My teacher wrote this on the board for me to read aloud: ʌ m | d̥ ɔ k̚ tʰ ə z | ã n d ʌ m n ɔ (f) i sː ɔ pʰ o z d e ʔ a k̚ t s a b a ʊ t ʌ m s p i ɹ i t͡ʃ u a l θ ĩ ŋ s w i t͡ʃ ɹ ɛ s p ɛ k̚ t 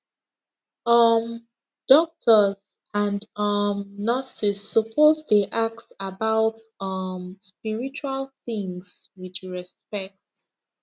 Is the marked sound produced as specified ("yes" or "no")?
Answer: no